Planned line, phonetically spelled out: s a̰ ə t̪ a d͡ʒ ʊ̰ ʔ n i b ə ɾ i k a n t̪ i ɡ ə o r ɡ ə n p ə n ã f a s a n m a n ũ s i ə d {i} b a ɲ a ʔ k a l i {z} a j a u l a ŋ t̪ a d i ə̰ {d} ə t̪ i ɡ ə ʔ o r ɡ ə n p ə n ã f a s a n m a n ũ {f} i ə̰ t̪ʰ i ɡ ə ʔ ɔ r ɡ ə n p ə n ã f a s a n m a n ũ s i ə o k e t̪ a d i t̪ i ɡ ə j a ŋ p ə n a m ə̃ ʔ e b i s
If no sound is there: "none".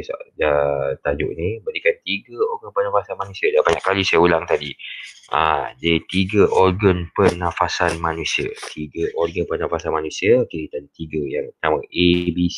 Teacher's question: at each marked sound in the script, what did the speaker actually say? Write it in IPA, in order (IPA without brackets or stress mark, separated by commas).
a, s, d, s